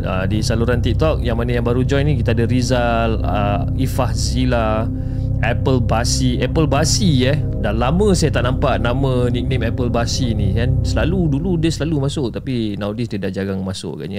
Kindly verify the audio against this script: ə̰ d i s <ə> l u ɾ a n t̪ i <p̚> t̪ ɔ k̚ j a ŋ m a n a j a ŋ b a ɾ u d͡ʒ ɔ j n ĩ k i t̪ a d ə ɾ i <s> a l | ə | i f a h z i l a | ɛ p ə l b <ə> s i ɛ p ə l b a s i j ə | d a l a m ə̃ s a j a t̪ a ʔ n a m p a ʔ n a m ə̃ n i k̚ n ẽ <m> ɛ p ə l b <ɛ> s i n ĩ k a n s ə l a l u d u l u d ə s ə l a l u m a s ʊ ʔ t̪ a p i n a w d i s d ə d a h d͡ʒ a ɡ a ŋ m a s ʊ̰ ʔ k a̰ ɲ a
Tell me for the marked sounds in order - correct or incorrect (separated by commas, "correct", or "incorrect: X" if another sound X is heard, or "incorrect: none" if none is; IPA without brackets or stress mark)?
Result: incorrect: a, incorrect: k̚, incorrect: z, incorrect: a, correct, incorrect: a